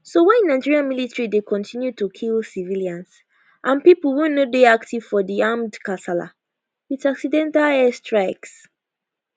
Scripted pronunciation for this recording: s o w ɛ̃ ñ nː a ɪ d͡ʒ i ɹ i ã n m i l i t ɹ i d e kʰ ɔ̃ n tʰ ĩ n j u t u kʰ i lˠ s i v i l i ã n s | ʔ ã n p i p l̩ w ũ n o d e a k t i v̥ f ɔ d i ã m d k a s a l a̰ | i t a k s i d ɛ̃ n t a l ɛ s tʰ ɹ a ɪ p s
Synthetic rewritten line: s o w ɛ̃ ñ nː a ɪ d͡ʒ i ɹ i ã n m i l i t ɹ i d e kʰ ɔ̃ n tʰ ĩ n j u t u kʰ i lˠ s i v i l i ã n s | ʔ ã n p i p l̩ w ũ n o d e a k t i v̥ f ɔ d i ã m d k a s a l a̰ | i t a k s i d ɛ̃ n t a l ɛ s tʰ ɹ a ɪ k s